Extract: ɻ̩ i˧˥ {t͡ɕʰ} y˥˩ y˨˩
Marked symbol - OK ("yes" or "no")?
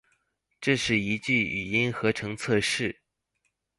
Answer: no